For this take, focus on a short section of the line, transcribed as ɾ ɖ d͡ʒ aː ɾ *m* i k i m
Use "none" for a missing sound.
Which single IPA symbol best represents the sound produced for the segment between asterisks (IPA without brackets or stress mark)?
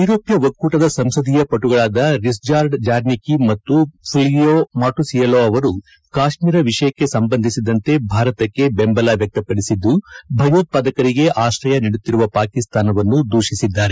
n